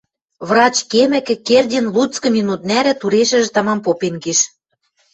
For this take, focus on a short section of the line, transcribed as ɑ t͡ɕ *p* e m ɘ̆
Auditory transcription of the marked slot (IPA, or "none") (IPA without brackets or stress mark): k